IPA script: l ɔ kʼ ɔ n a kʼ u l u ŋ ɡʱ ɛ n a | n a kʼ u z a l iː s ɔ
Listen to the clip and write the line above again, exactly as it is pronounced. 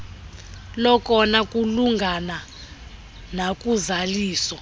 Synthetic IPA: l ɔ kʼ ɔ n a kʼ u l u ŋ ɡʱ a n a | n a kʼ u z a l iː s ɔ